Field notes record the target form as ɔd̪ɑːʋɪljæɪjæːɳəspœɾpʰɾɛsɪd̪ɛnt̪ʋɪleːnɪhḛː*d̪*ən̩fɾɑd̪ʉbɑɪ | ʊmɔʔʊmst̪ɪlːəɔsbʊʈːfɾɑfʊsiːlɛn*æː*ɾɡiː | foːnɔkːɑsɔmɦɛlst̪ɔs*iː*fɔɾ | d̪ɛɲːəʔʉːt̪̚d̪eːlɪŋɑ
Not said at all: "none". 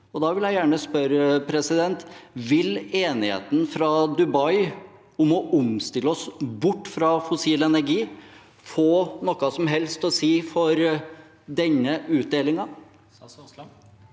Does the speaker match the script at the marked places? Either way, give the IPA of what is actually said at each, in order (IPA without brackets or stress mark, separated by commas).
t̪, æ, iː